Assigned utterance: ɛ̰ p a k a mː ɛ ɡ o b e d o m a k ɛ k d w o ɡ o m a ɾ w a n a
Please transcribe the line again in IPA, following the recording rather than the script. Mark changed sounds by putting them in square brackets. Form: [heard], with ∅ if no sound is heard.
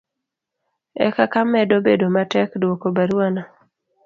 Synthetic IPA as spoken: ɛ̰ [k] a k a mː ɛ [d] o b e d o m a [t] ɛ k d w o [k] o [b] a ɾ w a n a